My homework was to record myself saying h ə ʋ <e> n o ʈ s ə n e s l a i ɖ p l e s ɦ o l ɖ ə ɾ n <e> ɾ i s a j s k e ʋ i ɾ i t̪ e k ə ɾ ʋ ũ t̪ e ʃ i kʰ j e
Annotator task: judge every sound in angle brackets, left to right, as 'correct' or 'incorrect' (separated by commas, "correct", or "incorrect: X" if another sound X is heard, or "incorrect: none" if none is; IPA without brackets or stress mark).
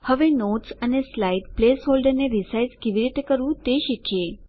correct, correct